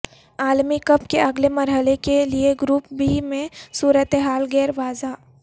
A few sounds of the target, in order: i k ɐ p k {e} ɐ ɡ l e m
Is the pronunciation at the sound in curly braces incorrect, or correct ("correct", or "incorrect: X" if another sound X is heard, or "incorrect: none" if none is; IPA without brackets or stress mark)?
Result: correct